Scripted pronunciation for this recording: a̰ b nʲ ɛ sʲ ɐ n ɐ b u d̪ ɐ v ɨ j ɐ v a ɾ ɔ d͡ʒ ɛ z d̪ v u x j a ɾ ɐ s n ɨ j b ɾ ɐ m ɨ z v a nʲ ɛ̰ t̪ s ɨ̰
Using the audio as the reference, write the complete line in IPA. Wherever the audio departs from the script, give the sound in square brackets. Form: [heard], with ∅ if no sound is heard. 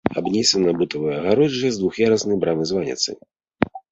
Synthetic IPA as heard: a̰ b nʲ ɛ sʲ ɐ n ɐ b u [t̪] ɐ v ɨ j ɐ [ɣ] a ɾ ɔ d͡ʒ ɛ z d̪ v u x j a ɾ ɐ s n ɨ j b ɾ [a] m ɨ z v a nʲ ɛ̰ t̪ s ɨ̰